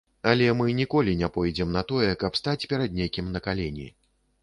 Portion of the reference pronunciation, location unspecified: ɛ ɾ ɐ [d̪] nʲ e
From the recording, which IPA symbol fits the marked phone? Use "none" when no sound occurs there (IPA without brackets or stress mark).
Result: d̪